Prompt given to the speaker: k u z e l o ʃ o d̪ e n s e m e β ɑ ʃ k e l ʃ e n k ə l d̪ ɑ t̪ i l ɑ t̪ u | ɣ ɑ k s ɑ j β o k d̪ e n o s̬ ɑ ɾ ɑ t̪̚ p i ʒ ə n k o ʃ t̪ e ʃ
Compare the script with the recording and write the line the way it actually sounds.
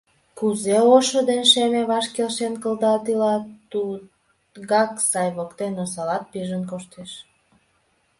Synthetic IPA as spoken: k u z e o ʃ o d̪ e n ʃ e m e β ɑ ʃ k e l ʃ e n k ə l d̪ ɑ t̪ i l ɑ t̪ u | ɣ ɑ k s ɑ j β o k t̪ e n o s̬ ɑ l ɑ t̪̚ p i ʒ ə n k o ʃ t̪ e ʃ

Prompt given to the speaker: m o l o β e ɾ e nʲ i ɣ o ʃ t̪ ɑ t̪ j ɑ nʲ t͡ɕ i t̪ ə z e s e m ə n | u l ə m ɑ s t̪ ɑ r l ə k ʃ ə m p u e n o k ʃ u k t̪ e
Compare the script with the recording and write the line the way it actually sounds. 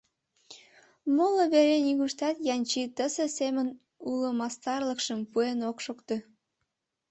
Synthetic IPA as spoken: m o l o β e ɾ e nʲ i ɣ u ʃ t̪ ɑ t̪ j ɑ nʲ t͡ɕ i t̪ ə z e s e m ə n | u l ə m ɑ s t̪ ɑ r l ə k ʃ ə m p u e n o k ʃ o k t̪ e

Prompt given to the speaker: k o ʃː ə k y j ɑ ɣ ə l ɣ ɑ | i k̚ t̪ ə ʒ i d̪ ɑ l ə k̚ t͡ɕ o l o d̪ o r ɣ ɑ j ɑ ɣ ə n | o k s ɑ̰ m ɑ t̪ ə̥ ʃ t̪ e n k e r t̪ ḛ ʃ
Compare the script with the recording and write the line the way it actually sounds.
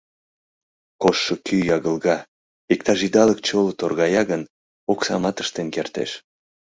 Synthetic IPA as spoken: k o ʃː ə k y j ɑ ɣ ə l ɣ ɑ | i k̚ t̪ ɑ ʒ i d̪ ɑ l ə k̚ t͡ɕ o l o t̪ o r ɣ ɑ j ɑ ɣ ə n | o k s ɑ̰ m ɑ t̪ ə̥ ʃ t̪ e n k e r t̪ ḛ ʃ

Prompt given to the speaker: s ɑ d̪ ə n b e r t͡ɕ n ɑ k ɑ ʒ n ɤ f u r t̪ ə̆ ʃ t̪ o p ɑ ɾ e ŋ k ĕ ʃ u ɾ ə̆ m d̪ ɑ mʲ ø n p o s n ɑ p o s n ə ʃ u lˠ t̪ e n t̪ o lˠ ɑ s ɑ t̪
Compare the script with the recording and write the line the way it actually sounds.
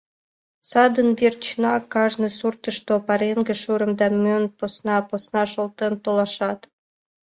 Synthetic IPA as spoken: s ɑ d̪ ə n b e r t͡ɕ n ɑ k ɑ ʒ n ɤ s u r t̪ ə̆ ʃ t̪ o p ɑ ɾ e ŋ ɡ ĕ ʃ u ɾ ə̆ m d̪ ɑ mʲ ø n p o s n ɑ p o s n ɑ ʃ o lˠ t̪ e n t̪ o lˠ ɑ ʃ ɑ t̪

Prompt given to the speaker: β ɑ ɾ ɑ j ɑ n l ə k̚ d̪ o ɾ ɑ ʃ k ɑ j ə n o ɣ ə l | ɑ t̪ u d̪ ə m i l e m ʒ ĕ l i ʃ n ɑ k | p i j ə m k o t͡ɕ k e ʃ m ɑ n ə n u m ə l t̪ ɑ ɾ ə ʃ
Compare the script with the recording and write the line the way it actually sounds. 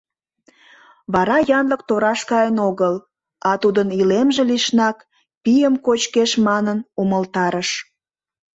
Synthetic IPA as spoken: β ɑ ɾ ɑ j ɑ n l ə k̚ t̪ o ɾ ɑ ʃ k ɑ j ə n o ɣ ə l | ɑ t̪ u d̪ ə n i l e m ʒ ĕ l i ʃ n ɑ k | p i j ə m k o t͡ɕ k e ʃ m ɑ n ə n u m ə l t̪ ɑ ɾ ə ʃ

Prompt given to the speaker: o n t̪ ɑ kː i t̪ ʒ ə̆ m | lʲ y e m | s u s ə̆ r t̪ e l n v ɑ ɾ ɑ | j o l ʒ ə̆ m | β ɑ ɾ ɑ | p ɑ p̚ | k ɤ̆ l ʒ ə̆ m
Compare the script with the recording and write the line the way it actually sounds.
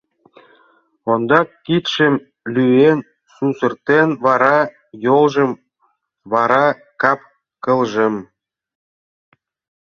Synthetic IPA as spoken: o n d̪ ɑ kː i t̪ ʃ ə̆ m | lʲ y e n | s u s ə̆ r t̪ e n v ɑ ɾ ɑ | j o l ʒ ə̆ m | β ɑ ɾ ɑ | k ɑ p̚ | k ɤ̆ l ʒ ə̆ m

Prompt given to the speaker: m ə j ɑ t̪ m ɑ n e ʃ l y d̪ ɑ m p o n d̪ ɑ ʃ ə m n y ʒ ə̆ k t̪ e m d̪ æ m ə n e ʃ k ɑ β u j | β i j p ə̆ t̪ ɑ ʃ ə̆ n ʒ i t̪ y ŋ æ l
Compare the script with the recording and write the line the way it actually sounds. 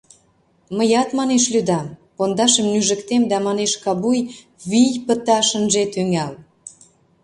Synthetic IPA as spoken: m ə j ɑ t̪ m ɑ n e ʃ l y d̪ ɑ m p o n d̪ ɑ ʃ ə m n y ʒ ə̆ k t̪ e m d̪ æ m ɑ n e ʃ k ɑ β u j | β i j p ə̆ t̪ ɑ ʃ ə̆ n ʒ e t̪ y ŋ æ l

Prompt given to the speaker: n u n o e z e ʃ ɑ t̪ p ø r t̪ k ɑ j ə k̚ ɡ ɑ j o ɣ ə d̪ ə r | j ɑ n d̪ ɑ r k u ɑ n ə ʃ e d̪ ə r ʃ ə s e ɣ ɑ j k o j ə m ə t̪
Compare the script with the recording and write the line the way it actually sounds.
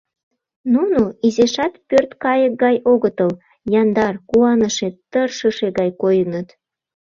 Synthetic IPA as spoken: n u n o i z e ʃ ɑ t̪ p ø r t̪ k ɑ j ə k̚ ɡ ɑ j o ɣ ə t̪ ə l | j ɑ n d̪ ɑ r k u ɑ n ə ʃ e t̪ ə r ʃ ə ʃ e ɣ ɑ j k o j ə n ə t̪

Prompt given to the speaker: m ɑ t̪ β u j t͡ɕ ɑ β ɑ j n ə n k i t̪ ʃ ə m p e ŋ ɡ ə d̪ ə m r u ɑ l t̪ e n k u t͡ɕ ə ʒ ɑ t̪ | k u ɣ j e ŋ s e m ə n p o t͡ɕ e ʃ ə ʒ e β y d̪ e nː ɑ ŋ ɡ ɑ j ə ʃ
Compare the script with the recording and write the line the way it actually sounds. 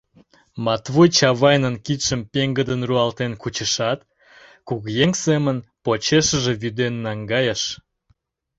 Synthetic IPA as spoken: m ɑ t̪ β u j t͡ɕ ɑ β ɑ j n ə n k i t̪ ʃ ə m p e ŋ ɡ ə d̪ ə n r u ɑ l t̪ e n k u t͡ɕ ə ʃ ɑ t̪ | k u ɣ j e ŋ s e m ə n p o t͡ɕ e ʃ ə ʒ e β y d̪ e nː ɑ ŋ ɡ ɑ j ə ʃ

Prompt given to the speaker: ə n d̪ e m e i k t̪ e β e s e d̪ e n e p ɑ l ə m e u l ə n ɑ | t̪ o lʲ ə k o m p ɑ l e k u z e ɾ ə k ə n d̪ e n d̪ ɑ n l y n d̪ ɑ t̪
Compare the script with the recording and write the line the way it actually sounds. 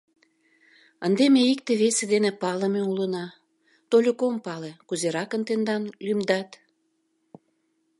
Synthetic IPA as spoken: ə n d̪ e m e i k t̪ e β e s e d̪ e n e p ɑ l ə m e u l ə n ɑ | t̪ o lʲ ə k o m p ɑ l e k u z e ɾ ɑ k ə n t̪ e n d̪ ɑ n l y m d̪ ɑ t̪

